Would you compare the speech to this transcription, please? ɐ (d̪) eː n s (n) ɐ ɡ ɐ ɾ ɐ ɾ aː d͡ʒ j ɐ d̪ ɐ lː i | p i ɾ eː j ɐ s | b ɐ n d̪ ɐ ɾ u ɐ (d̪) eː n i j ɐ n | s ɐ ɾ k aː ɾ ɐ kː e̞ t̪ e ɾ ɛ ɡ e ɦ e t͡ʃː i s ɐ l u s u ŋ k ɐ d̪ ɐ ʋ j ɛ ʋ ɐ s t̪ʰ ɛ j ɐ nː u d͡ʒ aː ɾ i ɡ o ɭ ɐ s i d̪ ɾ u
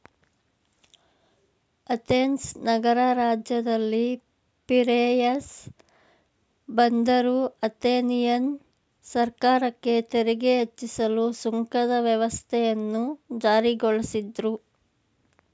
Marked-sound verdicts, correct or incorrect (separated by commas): incorrect, correct, incorrect